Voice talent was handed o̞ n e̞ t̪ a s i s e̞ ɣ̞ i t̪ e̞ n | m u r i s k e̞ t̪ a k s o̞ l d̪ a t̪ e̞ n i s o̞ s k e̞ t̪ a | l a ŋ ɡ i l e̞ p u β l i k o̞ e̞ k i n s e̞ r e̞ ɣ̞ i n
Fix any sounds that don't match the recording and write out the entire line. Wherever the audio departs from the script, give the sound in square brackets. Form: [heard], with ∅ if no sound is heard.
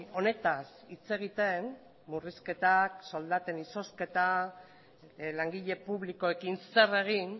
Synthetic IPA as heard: o̞ n e̞ t̪ a s i [t͡s] e̞ ɣ̞ i t̪ e̞ n | m u r i s k e̞ t̪ a k s o̞ l d̪ a t̪ e̞ n i s o̞ s k e̞ t̪ a | l a ŋ ɡ i [ʎ] e̞ p u β l i k o̞ e̞ k i n s e̞ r e̞ ɣ̞ i n